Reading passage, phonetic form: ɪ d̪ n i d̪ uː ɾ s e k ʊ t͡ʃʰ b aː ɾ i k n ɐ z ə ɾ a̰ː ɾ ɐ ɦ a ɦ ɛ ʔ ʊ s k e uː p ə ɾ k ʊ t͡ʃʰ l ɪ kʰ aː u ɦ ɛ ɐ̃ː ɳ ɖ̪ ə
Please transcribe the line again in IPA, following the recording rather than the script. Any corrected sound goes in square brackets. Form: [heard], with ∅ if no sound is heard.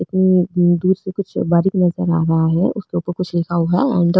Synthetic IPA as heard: ɪ [t̪] n i d̪ uː ɾ s e k ʊ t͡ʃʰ b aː ɾ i k n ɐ z ə ɾ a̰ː ɾ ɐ ɦ a ɦ ɛ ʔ ʊ s k e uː p ə ɾ k ʊ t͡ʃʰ l ɪ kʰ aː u ɦ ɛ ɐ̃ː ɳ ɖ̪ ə